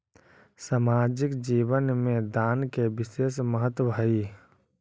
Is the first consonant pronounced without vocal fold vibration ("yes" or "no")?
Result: yes